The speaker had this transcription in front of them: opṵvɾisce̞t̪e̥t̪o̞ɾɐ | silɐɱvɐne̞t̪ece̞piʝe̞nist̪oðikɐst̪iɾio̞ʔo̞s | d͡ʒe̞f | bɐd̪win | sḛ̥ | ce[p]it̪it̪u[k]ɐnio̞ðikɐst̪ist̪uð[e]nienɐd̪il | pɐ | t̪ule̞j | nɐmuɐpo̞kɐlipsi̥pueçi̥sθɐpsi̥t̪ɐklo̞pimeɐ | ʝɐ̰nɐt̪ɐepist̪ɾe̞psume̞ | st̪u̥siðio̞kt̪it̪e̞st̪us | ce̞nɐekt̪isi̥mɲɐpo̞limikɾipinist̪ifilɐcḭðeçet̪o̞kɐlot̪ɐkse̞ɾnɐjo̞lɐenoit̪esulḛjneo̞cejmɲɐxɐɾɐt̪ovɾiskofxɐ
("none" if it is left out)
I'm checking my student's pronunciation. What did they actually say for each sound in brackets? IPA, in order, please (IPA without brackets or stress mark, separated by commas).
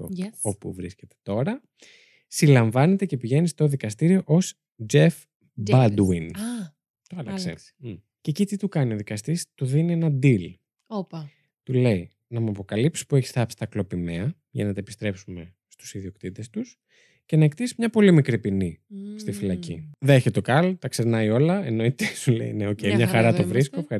c, k, i